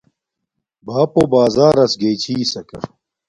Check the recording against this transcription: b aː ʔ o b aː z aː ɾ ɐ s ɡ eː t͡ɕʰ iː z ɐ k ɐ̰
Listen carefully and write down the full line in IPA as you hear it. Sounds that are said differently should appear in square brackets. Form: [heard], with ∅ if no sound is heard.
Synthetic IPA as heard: b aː [p] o b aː z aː ɾ ɐ s ɡ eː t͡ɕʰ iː [s] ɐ k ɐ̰